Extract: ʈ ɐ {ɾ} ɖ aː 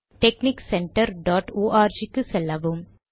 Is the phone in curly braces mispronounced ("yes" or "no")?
no